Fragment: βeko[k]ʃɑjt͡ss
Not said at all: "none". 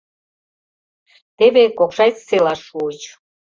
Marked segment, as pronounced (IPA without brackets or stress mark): k